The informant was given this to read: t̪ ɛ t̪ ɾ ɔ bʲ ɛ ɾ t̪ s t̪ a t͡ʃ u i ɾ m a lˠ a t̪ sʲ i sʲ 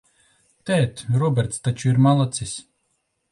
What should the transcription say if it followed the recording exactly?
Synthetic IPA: t̪ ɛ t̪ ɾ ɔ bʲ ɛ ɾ t̪ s t̪ a t͡ʃ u i ɾ m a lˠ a t̪ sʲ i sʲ